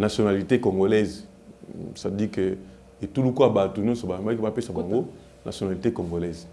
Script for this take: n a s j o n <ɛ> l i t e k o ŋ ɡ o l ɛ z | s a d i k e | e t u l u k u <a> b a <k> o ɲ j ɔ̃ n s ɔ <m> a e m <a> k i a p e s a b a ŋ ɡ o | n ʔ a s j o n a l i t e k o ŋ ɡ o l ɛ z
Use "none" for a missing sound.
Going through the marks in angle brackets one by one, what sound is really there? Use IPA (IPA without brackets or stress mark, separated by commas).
a, a, t, b, a